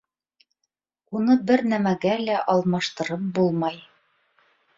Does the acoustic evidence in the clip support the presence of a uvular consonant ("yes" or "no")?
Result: no